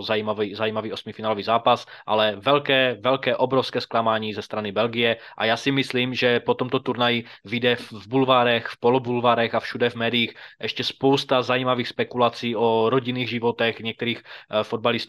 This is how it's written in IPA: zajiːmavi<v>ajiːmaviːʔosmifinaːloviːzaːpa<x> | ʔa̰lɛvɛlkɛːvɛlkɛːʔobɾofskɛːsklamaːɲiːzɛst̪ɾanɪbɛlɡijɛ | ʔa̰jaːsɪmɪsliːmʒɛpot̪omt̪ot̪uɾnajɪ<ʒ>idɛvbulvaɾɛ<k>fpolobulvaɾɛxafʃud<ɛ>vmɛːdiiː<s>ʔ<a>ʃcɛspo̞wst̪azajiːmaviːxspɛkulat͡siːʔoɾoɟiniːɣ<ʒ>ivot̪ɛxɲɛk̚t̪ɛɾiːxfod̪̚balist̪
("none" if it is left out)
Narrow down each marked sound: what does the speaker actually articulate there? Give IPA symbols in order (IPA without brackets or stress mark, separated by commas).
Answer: z, s, v, x, ɛ, x, ɛ, ʒ